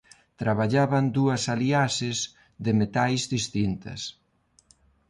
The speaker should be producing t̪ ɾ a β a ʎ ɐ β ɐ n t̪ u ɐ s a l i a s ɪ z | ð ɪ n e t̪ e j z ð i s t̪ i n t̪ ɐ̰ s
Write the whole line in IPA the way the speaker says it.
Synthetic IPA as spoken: t̪ ɾ a β a ʎ a β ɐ n d̪ u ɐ s a l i a s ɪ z | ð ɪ m e t̪ a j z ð i s t̪ i n t̪ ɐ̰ s